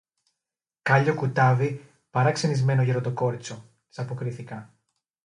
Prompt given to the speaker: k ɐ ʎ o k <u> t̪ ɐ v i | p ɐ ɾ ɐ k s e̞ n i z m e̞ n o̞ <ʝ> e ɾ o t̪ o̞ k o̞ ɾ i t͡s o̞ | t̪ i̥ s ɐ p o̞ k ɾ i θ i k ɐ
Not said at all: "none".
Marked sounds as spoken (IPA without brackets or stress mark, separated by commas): u, ʝ